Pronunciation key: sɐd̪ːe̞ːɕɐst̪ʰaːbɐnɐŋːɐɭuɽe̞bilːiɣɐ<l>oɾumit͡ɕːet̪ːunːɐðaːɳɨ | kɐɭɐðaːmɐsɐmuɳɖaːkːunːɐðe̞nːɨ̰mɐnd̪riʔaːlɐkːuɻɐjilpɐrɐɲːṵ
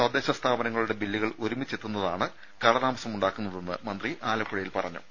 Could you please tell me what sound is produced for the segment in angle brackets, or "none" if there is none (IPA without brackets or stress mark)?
ɭ